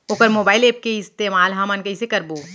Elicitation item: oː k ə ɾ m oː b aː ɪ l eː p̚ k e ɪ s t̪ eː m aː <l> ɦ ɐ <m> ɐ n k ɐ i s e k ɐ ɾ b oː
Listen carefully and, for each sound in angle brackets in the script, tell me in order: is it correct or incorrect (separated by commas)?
correct, correct